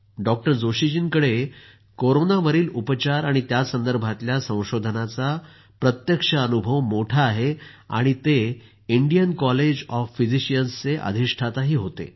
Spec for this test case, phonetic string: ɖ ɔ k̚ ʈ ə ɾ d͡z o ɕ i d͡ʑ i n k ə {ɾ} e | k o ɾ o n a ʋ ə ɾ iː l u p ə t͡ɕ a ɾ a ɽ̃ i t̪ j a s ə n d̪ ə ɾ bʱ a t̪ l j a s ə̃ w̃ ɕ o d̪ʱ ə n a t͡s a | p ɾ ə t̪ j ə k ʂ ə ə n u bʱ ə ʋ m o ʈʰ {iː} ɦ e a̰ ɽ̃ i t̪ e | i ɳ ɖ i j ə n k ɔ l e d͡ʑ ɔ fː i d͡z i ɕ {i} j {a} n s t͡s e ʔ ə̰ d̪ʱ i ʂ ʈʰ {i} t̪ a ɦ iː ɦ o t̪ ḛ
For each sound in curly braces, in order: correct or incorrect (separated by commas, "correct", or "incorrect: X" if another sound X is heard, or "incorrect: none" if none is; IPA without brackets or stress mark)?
incorrect: ɽ, incorrect: aː, correct, incorrect: ə, incorrect: a